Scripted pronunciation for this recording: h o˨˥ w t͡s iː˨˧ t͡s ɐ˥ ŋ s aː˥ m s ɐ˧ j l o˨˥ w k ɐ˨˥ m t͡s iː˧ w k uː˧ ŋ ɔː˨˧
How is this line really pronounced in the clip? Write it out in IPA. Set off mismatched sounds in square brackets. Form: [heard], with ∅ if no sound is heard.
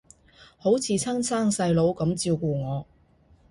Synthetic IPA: h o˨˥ w [t͡sʰ] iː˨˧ [t͡sʰ] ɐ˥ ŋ s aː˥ [ŋ] s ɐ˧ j l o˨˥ w k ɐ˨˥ m t͡s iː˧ w k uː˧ ŋ ɔː˨˧